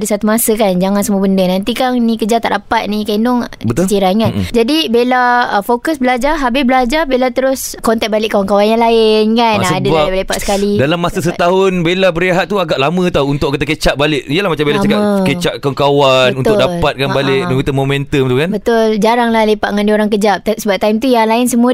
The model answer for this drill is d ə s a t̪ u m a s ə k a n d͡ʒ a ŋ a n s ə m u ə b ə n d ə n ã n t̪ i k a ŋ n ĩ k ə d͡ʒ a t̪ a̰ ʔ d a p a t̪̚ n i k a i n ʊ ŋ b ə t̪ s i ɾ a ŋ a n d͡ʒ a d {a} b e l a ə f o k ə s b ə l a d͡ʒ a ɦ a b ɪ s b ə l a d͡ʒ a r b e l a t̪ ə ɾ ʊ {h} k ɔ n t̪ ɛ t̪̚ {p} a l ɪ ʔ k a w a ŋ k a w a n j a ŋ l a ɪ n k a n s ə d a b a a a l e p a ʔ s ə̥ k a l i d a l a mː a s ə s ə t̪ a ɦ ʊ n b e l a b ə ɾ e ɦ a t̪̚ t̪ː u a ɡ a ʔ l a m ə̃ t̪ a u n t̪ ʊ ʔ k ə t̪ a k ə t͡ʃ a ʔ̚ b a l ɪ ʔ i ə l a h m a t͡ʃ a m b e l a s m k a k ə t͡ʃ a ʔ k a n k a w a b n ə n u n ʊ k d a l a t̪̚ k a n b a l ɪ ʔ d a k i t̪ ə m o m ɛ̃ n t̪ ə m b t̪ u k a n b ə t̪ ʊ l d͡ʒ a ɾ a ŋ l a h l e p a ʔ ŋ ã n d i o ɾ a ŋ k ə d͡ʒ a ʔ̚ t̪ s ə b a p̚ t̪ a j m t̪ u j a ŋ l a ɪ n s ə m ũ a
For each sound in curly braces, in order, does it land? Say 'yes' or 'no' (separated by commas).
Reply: no, no, no